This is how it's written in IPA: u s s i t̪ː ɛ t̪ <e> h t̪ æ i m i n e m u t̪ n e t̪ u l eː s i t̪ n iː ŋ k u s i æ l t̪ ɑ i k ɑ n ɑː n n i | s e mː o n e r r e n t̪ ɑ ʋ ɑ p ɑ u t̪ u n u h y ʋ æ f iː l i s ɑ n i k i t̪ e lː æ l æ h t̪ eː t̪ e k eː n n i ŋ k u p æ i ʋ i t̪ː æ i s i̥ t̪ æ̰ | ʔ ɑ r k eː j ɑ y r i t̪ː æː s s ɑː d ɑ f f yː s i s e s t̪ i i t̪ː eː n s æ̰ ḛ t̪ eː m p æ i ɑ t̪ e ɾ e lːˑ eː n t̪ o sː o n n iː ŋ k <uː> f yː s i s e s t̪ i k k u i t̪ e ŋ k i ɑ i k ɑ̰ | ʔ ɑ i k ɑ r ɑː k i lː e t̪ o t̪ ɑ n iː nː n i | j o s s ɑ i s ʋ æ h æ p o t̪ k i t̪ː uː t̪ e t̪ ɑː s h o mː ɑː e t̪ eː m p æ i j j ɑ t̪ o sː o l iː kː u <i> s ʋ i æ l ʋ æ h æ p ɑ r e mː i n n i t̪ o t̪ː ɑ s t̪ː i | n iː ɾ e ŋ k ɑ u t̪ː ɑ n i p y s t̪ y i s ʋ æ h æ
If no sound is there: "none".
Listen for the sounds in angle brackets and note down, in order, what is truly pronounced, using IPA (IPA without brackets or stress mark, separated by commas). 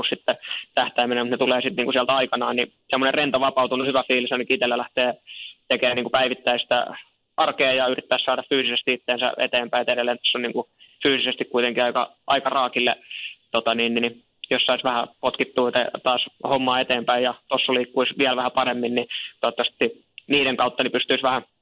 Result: æ, u, i